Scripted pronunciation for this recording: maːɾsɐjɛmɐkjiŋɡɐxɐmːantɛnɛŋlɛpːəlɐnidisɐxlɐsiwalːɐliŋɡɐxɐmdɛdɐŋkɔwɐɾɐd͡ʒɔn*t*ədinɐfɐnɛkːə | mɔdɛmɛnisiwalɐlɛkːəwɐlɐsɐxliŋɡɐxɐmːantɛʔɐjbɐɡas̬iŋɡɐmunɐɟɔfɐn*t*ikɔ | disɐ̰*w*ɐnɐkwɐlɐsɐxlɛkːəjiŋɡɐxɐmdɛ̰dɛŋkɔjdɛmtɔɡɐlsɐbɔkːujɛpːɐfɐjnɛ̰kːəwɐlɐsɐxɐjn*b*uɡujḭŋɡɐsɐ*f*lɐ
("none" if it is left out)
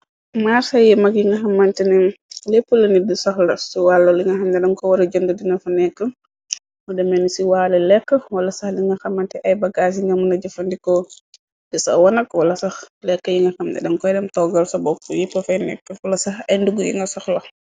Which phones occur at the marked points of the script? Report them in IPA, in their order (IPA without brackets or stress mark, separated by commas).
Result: d, d, w, d, x